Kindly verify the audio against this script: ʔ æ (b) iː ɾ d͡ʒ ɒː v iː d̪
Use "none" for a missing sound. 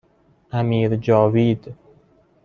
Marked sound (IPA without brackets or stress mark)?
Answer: m